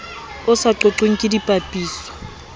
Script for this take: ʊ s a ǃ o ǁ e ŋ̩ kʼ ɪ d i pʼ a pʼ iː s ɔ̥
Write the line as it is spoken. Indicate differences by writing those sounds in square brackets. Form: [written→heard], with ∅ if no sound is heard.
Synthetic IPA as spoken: ʊ s a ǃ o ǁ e ŋ̩ kʼ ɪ d i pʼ a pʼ iː s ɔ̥